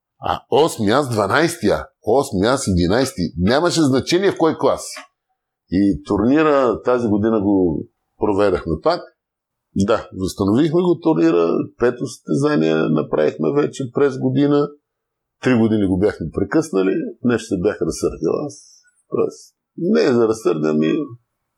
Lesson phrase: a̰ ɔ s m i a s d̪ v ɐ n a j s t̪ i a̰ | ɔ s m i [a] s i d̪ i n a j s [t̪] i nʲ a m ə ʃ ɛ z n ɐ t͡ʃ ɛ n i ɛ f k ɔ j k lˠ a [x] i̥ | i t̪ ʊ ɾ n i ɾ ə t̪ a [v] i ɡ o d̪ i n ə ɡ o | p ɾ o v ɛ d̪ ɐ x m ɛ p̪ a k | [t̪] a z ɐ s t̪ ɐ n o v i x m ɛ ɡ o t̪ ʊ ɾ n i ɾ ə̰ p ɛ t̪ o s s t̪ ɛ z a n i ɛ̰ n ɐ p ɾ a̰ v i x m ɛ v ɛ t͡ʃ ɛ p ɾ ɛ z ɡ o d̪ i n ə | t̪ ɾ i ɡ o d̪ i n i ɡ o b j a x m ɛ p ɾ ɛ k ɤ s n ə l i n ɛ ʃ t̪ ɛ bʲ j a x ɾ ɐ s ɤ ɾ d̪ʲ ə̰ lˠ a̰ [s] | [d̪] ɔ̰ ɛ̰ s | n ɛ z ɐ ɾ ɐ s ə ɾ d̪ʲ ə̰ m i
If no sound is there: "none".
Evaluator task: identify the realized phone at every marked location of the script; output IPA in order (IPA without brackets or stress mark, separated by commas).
a, t̪, s, z, d̪, s, t̪